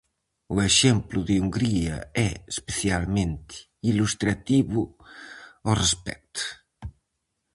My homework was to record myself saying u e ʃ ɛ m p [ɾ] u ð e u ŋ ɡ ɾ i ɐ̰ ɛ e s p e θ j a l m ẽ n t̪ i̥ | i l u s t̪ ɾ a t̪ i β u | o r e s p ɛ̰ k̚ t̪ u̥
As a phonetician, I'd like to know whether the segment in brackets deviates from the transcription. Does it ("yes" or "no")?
yes